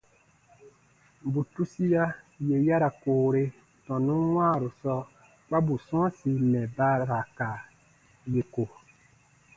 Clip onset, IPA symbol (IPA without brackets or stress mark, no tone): b